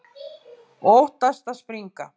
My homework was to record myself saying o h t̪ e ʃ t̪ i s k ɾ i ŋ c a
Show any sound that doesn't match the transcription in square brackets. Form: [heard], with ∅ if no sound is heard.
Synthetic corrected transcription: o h t̪ [a] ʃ t̪ [a] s [p] ɾ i ŋ [k] a